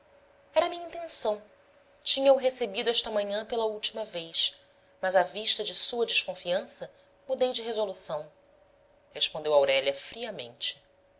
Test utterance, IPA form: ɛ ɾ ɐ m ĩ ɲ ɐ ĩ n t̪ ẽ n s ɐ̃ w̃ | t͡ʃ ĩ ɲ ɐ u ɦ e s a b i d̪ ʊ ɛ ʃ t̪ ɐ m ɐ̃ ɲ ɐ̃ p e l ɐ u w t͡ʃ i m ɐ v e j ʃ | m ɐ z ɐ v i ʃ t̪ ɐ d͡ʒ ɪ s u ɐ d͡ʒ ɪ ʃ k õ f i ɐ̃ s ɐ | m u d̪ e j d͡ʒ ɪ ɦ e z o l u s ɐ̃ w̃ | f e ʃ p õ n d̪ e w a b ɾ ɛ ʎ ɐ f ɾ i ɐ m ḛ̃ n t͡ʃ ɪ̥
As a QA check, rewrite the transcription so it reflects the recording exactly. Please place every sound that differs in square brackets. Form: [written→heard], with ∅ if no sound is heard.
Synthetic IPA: ɛ ɾ ɐ m ĩ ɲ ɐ ĩ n t̪ ẽ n s ɐ̃ w̃ | t͡ʃ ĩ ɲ ɐ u ɦ e s [a→e] b i d̪ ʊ ɛ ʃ t̪ ɐ m ɐ̃ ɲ ɐ̃ p e l ɐ u w t͡ʃ i m ɐ v e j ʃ | m ɐ z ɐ v i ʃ t̪ ɐ d͡ʒ ɪ s u ɐ d͡ʒ ɪ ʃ k õ f i ɐ̃ s ɐ | m u d̪ e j d͡ʒ ɪ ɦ e z o l u s ɐ̃ w̃ | [f→h] e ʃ p õ n d̪ e w a [b→w] ɾ ɛ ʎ ɐ f ɾ i ɐ m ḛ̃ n t͡ʃ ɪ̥